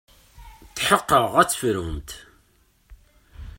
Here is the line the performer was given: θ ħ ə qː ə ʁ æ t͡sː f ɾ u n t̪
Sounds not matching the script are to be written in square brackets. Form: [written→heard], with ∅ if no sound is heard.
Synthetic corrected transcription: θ ħ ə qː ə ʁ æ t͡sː f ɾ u [n→m] t̪